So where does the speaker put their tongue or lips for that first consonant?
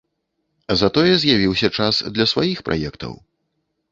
tongue tip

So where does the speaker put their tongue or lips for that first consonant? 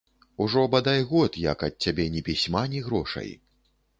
retroflex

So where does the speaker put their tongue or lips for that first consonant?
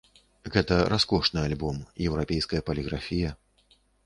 velum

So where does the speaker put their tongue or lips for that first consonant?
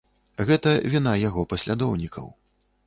velum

